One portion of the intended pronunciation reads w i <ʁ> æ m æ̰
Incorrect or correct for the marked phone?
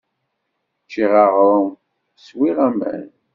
correct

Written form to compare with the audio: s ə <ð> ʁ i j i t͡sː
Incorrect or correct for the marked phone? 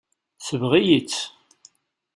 incorrect: v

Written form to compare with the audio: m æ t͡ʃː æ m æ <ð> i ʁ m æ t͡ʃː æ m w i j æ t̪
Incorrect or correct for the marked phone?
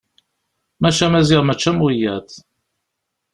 incorrect: z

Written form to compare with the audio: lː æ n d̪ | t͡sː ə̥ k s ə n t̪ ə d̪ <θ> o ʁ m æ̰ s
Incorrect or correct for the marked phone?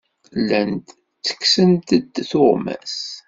correct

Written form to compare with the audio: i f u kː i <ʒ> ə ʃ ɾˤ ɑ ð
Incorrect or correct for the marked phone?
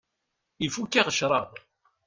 incorrect: ʁ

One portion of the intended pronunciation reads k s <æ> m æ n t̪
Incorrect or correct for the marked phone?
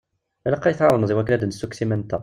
incorrect: i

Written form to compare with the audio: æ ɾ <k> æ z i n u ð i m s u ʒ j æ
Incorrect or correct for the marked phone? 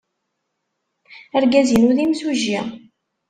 incorrect: ɡ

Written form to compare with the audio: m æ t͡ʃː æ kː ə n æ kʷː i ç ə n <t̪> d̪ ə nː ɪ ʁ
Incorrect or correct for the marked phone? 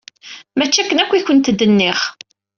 correct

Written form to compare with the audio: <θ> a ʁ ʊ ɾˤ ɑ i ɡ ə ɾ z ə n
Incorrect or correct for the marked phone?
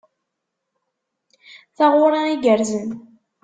correct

